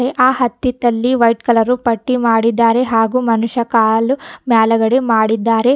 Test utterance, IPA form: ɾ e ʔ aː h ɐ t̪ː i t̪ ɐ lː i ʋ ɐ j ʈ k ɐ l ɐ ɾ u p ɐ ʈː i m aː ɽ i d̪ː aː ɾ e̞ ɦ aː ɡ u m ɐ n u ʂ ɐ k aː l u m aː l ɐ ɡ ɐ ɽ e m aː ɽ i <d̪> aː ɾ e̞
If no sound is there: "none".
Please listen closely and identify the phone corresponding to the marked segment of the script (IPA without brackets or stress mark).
d̪ː